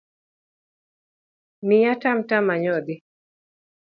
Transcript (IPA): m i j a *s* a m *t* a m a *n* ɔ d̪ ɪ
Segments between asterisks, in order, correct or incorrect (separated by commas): incorrect, correct, incorrect